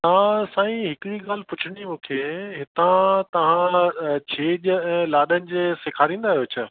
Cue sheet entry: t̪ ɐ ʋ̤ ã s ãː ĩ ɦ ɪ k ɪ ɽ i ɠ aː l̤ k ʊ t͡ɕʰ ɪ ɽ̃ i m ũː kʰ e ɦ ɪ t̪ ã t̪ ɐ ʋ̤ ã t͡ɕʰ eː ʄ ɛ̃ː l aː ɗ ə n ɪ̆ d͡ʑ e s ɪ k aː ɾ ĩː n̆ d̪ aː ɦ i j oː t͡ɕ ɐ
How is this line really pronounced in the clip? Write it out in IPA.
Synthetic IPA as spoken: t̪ ɐ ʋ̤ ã s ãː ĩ ɦ ɪ k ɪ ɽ i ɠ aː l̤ p ʊ t͡ɕʰ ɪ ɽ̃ i m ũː kʰ e ɦ ɪ t̪ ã t̪ ɐ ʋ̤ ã t͡ɕʰ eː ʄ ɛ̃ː l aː ɗ ə n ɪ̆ d͡ʑ e s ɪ kʰ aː ɾ ĩː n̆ d̪ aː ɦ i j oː t͡ɕʰ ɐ